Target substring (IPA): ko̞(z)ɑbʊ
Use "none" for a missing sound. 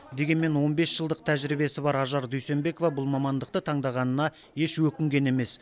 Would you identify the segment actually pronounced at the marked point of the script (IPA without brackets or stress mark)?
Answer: v